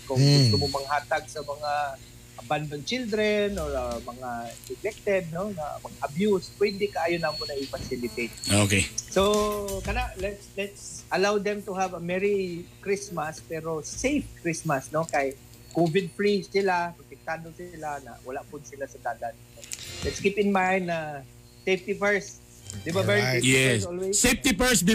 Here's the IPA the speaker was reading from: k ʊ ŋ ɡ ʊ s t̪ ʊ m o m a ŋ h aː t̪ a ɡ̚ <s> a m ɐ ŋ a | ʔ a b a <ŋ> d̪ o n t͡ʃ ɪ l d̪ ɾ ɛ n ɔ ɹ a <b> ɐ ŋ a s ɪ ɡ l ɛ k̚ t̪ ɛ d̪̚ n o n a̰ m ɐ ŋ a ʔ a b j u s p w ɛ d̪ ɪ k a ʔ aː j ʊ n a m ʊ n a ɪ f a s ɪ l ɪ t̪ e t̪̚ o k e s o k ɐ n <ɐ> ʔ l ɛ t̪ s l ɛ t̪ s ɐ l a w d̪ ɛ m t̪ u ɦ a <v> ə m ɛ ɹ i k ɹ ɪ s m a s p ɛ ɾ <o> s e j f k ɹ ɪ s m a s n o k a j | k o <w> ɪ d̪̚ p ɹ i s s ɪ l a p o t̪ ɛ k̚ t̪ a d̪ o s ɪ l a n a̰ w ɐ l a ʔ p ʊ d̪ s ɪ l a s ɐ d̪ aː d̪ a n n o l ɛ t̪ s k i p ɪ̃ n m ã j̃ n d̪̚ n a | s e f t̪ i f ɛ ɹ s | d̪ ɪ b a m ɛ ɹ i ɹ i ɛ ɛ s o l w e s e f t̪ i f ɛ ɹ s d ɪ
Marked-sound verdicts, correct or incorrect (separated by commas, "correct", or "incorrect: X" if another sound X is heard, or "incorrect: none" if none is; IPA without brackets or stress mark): correct, incorrect: n, incorrect: m, incorrect: a, correct, correct, incorrect: v